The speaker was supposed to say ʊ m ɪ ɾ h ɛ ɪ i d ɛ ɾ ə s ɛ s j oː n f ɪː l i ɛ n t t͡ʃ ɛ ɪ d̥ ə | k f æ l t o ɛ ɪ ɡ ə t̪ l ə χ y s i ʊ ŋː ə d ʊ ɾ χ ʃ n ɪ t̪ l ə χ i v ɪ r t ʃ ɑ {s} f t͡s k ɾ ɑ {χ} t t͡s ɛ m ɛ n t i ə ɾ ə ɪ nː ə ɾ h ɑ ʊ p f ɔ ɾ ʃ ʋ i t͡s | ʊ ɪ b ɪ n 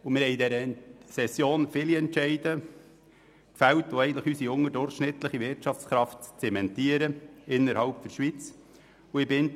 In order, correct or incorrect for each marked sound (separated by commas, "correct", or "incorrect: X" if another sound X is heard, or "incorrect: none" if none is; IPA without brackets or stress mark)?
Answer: incorrect: none, incorrect: f